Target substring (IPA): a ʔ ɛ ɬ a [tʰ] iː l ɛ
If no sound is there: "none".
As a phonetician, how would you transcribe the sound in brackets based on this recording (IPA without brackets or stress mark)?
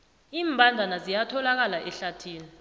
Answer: tʰ